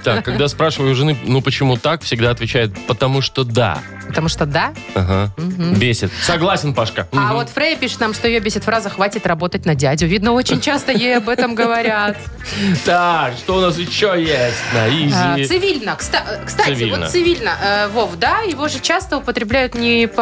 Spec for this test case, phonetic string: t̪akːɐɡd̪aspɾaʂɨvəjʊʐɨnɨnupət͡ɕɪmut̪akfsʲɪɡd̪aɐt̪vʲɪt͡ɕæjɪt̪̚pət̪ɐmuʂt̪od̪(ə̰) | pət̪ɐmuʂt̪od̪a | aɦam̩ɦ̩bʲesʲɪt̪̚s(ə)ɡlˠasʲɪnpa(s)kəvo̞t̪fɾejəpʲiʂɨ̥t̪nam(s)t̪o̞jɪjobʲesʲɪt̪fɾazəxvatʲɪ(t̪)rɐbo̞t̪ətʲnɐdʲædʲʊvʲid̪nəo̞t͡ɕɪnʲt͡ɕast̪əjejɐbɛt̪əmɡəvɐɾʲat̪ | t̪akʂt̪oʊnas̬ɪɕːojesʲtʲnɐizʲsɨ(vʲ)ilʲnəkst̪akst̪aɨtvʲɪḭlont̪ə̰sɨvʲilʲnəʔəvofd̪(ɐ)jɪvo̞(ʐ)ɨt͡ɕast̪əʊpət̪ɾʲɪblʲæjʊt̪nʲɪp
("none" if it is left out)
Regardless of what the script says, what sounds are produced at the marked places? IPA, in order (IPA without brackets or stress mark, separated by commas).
a̰, ɐ, ʂ, ʂ, t̪, vʲ, a, ʐ